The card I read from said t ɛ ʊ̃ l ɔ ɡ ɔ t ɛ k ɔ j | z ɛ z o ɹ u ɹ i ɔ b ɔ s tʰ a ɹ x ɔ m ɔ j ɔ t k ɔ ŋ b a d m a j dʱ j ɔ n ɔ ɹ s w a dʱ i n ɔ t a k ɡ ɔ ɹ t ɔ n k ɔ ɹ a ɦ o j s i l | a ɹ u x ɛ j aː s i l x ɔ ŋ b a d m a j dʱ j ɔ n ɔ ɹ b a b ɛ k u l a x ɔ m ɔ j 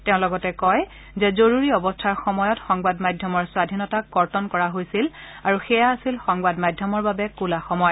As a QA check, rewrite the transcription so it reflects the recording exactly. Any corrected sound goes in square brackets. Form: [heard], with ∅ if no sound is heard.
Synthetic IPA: t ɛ ʊ̃ l ɔ ɡ ɔ t ɛ k ɔ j | z ɛ z o ɹ u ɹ i ɔ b ɔ s tʰ a ɹ x ɔ m ɔ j ɔ t [x] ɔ ŋ b a d m a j dʱ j ɔ [m] ɔ ɹ s w a dʱ i n ɔ t a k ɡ ɔ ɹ t ɔ n k ɔ ɹ a ɦ o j s i l | a ɹ u x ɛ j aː s i l x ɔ ŋ b a d m a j dʱ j ɔ [m] ɔ ɹ b a b ɛ k u l a x ɔ m ɔ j